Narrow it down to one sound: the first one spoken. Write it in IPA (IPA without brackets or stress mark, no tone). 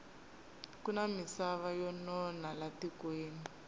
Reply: k